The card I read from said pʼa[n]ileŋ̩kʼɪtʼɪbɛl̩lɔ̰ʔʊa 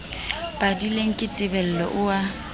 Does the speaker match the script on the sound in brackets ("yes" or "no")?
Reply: no